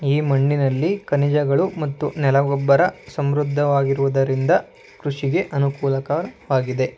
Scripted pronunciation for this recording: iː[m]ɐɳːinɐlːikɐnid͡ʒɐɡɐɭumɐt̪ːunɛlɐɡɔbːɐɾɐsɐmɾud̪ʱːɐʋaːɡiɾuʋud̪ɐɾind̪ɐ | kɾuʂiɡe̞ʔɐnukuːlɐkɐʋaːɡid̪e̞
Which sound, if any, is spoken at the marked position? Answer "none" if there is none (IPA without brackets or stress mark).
m